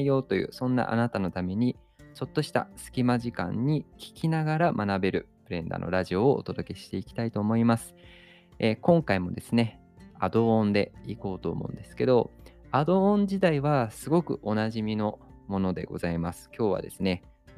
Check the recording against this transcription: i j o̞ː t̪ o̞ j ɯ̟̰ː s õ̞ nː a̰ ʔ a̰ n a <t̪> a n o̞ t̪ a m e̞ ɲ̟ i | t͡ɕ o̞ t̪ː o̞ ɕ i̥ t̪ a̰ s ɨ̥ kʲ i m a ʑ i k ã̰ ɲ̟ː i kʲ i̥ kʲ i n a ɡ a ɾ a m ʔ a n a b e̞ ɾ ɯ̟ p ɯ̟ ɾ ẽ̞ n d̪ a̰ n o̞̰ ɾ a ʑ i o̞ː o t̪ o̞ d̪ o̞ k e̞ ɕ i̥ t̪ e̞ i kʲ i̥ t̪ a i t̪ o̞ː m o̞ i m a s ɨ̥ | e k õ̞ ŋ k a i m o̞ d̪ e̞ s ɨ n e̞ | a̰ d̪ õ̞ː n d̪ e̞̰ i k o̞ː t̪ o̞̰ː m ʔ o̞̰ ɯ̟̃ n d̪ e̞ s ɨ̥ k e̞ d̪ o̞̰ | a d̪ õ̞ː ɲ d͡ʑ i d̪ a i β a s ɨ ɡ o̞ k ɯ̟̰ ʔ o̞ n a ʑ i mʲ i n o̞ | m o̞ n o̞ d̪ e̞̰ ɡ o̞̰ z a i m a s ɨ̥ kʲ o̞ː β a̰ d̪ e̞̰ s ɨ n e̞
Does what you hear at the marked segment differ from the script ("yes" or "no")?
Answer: no